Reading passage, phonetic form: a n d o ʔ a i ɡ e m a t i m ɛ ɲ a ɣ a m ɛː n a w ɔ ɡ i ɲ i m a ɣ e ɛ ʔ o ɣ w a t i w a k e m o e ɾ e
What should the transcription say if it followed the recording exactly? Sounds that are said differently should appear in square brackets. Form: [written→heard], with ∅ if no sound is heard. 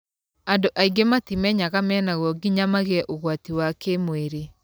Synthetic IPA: a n d o ʔ a i ɡ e m a t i m ɛ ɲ a ɣ a m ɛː n a [w→ɣ] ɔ ɡ i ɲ [i→a] m a ɣ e ɛ ʔ o ɣ w a t i w a k e m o e ɾ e